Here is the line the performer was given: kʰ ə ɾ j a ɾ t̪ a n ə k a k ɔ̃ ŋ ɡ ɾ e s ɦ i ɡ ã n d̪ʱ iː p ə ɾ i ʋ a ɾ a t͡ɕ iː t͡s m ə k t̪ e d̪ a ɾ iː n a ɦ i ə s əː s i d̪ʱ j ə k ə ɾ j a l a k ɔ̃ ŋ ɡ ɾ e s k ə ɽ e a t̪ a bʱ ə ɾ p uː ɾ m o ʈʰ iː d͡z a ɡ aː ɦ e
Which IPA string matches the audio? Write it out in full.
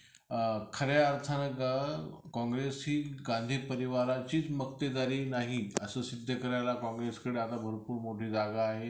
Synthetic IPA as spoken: kʰ ə ɾ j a ɾ t̪ʰ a n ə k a k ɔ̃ ŋ ɡ ɾ e s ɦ iː ɡ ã n d̪ʱ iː p ə ɾ i ʋ a ɾ a t͡ɕ iː t͡s m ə k t̪ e d̪ a ɾ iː n a ɦ i ə s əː s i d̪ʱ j ə k ə ɾ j a l a k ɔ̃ ŋ ɡ ɾ e s k ə ɽ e a t̪ a bʱ ə ɾ p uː ɾ m o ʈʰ iː d͡z a ɡ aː ɦ e